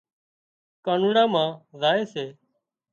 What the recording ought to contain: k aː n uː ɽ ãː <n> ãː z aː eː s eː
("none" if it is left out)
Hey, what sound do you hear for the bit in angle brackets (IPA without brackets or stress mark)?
m